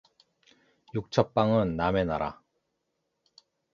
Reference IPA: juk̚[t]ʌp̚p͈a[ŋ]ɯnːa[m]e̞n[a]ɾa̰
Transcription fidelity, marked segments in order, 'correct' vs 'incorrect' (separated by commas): incorrect, correct, correct, correct